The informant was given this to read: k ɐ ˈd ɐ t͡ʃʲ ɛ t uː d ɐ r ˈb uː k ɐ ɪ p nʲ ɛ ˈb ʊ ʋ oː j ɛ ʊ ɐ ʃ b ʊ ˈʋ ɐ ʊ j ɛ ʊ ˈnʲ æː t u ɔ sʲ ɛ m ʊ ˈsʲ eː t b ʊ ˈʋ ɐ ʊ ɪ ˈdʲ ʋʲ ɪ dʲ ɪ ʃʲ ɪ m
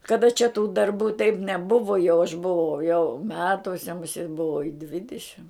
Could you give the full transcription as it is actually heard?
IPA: k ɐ ˈd ɐ t͡ʃʲ ɛ t uː d ɐ r ˈb uː t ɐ ɪ p nʲ ɛ ˈb ʊ ʋ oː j ɛ ʊ ɐ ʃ b ʊ ˈʋ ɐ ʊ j ɛ ʊ ˈmʲ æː t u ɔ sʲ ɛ m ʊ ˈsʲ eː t b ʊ ˈʋ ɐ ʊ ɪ ˈdʲ ʋʲ ɪ dʲ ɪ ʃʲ ɪ m